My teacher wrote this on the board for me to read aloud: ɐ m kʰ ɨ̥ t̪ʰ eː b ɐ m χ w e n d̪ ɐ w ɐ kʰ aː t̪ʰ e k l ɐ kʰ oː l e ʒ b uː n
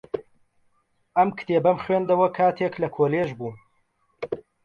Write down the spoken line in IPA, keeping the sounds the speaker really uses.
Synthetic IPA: ɐ m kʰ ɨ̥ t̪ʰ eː b ɐ m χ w e n d̪ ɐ w ɐ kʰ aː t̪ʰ e k l ɐ kʰ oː l e ʒ b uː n